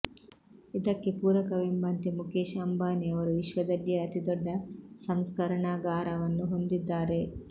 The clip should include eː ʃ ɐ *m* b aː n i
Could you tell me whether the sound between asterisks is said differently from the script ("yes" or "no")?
no